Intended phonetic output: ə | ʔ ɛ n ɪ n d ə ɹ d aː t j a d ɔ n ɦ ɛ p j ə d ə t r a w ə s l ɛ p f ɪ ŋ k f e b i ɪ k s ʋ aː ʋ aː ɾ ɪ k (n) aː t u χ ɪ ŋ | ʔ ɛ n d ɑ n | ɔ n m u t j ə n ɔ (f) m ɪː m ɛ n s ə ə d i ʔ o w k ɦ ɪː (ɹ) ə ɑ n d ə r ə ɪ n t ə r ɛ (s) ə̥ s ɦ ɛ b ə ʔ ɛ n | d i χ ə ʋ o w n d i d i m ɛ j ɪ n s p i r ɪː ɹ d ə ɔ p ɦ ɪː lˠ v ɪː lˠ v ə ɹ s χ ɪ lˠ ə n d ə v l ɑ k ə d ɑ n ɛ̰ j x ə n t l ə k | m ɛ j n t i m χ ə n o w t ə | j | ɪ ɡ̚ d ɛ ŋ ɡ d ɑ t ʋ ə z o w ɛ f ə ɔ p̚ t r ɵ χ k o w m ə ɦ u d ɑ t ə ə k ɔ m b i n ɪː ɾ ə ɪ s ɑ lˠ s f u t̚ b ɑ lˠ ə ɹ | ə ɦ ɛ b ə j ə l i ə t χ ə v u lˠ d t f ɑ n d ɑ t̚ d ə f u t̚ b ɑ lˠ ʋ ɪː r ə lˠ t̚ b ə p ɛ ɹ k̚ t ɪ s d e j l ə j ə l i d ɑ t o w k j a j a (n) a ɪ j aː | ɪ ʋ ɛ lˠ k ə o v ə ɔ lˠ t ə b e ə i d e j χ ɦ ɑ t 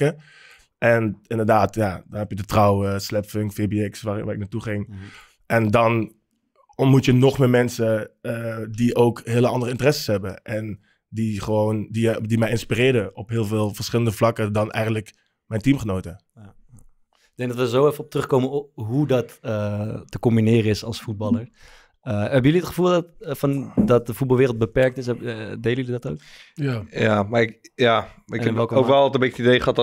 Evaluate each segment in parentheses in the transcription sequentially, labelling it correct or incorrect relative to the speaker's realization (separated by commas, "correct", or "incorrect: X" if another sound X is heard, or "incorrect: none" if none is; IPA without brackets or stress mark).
correct, incorrect: χ, incorrect: l, correct, incorrect: m